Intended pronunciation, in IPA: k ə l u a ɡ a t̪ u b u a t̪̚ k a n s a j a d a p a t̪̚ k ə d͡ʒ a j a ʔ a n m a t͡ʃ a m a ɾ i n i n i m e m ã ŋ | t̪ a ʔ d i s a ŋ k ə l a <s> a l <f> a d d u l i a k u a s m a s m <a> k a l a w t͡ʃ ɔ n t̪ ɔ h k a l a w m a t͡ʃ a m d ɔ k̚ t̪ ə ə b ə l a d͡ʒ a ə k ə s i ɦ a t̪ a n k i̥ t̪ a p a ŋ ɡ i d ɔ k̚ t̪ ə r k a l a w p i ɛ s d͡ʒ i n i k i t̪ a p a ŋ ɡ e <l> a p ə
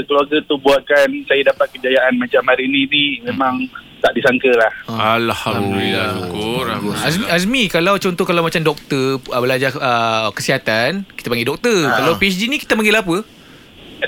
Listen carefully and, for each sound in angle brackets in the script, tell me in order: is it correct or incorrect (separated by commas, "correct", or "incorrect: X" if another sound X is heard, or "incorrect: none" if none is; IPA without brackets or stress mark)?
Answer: incorrect: h, incorrect: h, incorrect: i, correct